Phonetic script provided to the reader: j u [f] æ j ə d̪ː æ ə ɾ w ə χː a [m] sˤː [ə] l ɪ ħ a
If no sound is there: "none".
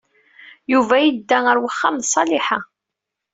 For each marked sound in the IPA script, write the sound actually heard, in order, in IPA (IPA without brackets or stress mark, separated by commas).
v, m, ɑ